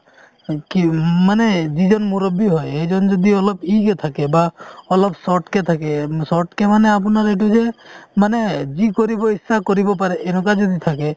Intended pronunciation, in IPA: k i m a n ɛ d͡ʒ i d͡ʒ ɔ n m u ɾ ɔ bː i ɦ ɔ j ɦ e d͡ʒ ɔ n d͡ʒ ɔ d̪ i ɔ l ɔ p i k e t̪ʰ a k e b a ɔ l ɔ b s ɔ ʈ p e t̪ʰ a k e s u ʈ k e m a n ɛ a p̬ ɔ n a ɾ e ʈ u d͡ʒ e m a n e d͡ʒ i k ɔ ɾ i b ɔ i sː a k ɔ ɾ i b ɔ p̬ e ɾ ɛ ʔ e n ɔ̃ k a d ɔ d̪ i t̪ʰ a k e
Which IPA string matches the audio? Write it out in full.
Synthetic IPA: k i m a n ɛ d͡ʒ i d͡ʒ ɔ n m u ɾ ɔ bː i ɦ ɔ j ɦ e d͡ʒ ɔ n d͡ʒ ɔ d̪ i ɔ l ɔ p i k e t̪ʰ a k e b a ɔ l ɔ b s ɔ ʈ k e t̪ʰ a k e s ɔ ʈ k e m a n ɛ a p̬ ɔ n a ɾ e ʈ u d͡ʒ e m a n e d͡ʒ i k ɔ ɾ i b ɔ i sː a k ɔ ɾ i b ɔ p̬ a ɾ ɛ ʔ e n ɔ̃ k a d͡ʒ ɔ d̪ i t̪ʰ a k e